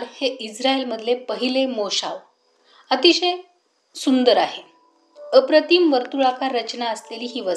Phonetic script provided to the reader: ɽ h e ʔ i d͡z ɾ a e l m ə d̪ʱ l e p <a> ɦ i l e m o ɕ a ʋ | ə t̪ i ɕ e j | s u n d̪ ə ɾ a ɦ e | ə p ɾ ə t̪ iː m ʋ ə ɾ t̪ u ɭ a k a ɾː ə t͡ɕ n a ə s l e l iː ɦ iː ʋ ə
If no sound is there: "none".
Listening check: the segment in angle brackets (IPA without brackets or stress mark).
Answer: ə